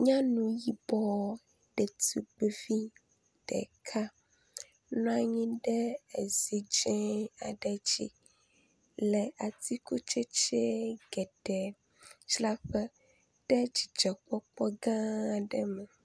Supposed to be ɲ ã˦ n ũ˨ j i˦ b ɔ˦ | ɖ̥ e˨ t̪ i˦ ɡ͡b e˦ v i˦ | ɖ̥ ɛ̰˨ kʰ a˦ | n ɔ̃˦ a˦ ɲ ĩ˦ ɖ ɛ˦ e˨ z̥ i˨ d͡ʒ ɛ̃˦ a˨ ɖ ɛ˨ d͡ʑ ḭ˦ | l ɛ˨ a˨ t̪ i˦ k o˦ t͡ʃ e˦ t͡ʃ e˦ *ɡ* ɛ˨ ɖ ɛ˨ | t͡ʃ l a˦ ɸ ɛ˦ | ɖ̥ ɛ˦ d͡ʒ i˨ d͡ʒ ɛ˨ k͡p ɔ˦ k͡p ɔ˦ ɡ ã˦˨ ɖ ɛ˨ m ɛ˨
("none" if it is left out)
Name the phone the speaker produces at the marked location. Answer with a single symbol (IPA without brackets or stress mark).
ɡ